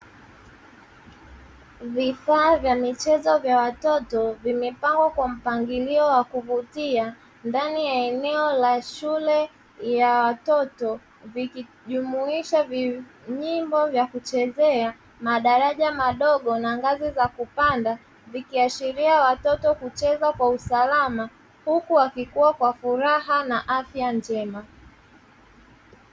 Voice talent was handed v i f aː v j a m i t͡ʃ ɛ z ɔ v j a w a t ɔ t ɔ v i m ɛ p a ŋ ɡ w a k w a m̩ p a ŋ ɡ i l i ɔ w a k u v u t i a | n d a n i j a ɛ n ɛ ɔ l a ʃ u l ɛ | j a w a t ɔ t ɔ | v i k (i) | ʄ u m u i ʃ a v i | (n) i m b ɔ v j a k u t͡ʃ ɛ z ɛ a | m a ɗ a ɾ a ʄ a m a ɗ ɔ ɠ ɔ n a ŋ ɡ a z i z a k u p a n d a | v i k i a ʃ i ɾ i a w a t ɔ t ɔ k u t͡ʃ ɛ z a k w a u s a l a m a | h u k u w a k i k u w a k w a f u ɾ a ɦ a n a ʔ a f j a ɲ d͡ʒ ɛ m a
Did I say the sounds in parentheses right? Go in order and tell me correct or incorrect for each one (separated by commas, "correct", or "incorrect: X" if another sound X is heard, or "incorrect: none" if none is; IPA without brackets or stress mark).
correct, incorrect: ɲ